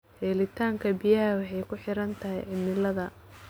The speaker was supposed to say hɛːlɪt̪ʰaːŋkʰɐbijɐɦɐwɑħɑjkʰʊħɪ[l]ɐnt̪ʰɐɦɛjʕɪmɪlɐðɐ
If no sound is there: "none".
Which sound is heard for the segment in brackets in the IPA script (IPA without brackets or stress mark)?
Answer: ɾ